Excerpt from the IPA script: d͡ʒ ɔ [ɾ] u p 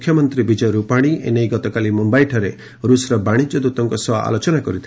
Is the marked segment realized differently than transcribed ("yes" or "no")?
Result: no